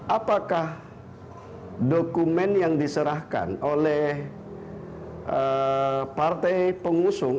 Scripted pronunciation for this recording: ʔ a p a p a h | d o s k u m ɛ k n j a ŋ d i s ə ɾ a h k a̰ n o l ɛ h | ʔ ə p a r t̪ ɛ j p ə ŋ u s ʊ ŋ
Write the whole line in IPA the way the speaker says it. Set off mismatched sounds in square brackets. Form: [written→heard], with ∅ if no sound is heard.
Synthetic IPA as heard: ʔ a p a [p→k] a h | d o [s→∅] k u m ɛ [k→∅] n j a ŋ d i s ə ɾ a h k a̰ n o l ɛ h | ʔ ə p a r t̪ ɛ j p ə ŋ u s ʊ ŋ

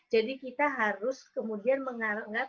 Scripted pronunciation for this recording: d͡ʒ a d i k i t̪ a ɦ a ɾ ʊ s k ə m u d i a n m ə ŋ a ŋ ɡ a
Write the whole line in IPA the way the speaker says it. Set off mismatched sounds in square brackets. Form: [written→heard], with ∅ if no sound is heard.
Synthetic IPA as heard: d͡ʒ a d i k i t̪ a ɦ a ɾ ʊ s k ə m u d i a n m ə ŋ a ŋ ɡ a

